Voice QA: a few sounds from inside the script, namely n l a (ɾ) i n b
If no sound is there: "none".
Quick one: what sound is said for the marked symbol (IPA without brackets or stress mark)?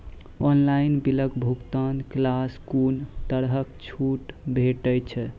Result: none